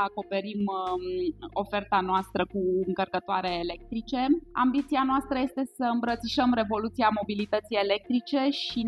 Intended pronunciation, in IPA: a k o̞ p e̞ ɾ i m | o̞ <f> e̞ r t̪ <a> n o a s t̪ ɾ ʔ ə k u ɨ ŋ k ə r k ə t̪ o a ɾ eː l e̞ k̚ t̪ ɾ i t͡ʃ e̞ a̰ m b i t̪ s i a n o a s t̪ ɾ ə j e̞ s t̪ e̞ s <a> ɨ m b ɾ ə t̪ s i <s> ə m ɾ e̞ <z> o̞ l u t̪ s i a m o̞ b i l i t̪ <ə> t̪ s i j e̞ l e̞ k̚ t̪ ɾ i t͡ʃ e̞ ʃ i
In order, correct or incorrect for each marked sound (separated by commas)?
correct, correct, incorrect, incorrect, incorrect, correct